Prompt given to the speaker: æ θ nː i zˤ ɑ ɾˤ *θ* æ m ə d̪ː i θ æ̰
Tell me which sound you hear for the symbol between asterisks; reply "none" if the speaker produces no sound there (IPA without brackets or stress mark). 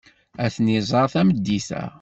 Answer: θ